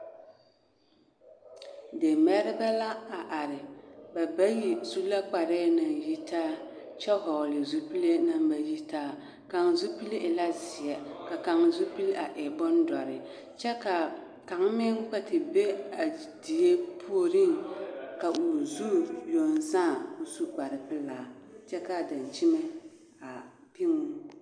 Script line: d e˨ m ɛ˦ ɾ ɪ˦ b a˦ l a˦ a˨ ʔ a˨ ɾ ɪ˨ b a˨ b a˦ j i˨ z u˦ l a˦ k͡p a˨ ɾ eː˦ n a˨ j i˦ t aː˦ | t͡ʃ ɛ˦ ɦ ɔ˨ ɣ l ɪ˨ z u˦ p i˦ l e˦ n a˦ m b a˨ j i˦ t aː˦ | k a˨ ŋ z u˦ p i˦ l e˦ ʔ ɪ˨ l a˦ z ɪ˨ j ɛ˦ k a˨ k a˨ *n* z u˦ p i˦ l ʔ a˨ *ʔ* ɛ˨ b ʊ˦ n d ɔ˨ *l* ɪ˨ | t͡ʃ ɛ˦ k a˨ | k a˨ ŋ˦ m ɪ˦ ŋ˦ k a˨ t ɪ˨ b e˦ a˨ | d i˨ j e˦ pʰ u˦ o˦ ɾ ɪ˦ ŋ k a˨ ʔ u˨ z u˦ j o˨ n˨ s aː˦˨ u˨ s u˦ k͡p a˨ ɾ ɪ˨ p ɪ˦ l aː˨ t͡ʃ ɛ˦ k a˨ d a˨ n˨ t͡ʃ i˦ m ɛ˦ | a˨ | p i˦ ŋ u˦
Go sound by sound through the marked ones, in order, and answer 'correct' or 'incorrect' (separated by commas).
incorrect, correct, incorrect